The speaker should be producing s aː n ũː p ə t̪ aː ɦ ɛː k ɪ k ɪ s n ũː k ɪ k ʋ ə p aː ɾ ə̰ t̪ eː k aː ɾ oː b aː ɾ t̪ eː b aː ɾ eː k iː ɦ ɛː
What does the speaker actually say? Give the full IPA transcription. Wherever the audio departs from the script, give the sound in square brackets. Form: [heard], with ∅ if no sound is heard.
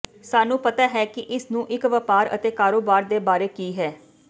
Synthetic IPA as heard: s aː n ũː p ə t̪ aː ɦ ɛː k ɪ [ʔ] ɪ s n ũː [ʔ] ɪ k ʋ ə p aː ɾ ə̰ t̪ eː k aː ɾ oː b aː ɾ [d̪] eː b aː ɾ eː k iː ɦ ɛː